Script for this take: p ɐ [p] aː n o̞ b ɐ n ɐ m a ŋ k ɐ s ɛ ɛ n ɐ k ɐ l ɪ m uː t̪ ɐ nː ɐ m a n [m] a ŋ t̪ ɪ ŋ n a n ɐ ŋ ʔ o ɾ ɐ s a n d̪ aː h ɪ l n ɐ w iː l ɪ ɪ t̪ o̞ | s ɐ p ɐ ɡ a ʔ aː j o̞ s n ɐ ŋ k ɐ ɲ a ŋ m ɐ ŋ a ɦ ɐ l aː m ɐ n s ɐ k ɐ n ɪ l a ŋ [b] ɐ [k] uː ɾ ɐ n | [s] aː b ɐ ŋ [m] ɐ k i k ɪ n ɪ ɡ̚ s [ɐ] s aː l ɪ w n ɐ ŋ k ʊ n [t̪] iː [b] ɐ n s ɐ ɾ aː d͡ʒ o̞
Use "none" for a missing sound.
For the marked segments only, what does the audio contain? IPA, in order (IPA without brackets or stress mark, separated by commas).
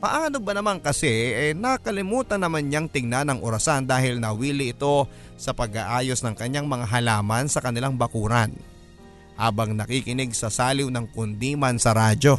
ʔ, ɲ, b, k, h, n, ɐ, d̪, m